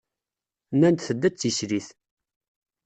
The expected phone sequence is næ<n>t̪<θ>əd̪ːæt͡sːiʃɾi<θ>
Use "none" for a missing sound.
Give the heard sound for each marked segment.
n, θ, θ

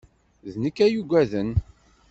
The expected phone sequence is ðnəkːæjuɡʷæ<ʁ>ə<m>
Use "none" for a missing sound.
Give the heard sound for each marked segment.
ð, n

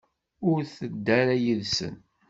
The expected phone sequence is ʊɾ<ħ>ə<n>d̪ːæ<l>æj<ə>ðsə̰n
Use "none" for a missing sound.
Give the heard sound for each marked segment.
θ, none, ɾ, ə

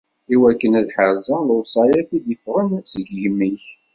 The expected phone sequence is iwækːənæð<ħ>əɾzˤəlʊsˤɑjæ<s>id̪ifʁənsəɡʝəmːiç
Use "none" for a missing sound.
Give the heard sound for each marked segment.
ħ, θ

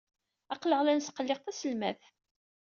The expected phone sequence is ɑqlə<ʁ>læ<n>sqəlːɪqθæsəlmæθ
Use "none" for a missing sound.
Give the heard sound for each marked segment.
ʁ, n

